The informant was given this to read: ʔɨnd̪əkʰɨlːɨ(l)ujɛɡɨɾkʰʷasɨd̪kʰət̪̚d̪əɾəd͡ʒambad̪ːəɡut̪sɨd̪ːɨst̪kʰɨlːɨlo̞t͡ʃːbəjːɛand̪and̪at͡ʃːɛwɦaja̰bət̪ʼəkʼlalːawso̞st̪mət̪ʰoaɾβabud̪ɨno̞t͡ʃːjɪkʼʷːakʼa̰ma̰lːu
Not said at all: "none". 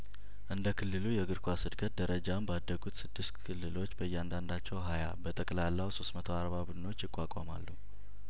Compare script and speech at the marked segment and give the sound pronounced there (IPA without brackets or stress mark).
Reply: l